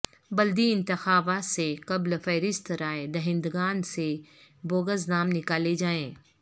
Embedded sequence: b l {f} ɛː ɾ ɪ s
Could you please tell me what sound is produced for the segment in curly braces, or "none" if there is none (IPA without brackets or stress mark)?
f